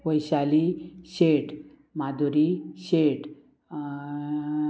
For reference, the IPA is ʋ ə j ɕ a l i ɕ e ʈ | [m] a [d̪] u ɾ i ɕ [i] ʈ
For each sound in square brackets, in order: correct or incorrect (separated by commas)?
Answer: correct, correct, incorrect